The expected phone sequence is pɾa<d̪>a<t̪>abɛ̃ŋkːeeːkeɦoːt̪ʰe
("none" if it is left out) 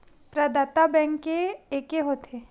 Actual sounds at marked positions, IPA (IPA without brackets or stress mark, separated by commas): d̪, t̪